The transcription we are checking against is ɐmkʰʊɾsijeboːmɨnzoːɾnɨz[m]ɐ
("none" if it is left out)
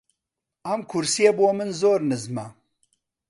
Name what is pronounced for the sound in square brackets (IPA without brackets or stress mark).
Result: m